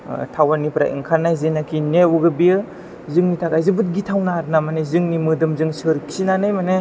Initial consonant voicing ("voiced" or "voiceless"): voiceless